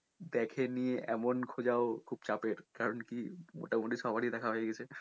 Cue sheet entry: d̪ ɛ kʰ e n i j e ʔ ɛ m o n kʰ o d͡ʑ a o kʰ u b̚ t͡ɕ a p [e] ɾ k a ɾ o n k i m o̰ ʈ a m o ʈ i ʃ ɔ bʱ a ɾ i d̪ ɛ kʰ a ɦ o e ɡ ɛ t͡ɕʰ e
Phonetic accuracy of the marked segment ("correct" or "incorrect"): correct